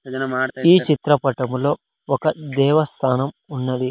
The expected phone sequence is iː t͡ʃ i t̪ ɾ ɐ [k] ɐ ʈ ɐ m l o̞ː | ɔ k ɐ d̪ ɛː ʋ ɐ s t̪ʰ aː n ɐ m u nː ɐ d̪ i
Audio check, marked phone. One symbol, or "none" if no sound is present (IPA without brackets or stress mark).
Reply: p